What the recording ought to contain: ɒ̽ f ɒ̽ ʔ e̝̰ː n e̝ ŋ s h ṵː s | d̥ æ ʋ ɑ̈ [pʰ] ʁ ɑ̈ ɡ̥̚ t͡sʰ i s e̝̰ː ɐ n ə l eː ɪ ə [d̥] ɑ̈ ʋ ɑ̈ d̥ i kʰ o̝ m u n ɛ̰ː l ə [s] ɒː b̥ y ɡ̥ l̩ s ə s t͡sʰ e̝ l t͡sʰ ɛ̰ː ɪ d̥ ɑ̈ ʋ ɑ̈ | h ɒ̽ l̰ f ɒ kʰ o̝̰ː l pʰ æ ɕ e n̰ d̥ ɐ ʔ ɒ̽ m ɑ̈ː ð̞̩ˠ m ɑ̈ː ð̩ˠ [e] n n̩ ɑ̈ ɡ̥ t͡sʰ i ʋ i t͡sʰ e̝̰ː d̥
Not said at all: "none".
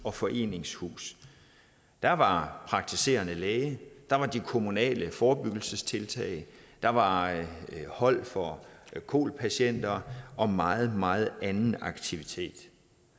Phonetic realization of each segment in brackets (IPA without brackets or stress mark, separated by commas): pʰ, d̥, f, æ